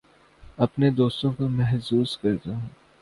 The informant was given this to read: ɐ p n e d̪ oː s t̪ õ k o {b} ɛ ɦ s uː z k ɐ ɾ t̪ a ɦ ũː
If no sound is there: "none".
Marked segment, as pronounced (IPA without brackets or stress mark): m